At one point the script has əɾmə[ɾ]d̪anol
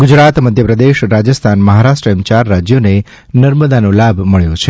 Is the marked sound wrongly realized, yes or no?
yes